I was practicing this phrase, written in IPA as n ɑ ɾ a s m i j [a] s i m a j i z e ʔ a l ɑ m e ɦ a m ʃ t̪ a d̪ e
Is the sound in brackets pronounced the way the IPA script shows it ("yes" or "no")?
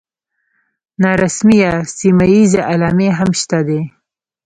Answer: yes